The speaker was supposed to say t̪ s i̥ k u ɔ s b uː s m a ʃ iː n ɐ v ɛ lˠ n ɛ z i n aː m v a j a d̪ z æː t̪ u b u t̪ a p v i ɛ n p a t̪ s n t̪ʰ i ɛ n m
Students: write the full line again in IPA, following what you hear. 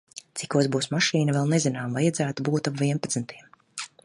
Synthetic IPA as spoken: t̪ s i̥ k u ɔ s b uː s m a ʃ iː n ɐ v ɛ lˠ n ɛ z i n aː m v a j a d̪ z æː t̪ u b uː t̪ a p v i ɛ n p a t̪ s n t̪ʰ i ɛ m